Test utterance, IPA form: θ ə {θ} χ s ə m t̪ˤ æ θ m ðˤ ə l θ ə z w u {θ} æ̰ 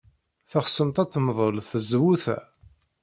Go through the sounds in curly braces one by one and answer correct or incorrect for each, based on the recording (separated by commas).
incorrect, correct